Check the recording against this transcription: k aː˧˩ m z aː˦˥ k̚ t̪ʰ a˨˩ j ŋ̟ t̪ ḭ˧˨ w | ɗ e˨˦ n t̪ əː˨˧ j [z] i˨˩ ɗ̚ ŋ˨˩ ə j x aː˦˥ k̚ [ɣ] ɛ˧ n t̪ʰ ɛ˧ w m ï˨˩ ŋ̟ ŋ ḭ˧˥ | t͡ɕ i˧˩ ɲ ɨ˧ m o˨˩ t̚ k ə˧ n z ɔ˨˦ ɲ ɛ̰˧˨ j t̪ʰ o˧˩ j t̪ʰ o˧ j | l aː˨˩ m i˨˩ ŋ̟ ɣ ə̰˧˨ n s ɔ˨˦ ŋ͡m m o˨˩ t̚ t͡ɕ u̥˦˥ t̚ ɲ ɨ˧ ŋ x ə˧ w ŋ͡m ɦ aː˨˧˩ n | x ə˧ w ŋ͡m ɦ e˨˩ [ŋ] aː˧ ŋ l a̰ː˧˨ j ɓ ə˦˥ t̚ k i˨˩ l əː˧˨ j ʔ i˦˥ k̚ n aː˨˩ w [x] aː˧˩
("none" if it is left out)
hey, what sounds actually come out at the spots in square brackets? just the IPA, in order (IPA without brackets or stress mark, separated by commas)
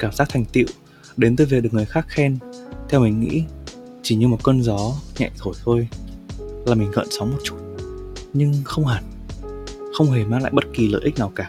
v, x, m, k